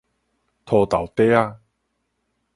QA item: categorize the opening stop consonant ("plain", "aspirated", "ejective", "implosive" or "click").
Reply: aspirated